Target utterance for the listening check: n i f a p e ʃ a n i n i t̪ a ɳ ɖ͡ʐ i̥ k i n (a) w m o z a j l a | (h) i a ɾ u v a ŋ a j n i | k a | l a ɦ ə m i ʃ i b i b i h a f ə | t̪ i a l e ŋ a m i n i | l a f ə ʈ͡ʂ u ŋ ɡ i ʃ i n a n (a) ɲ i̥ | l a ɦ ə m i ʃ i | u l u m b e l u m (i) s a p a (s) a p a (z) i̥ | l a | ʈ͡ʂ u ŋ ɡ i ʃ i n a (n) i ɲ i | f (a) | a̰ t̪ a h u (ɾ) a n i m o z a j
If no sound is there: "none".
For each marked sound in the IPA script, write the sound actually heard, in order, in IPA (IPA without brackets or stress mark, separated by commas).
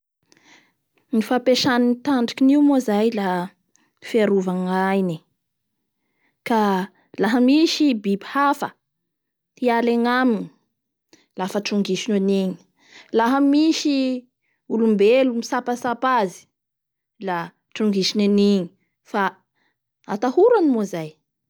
i, f, i, i, s, z, n, a, ɾ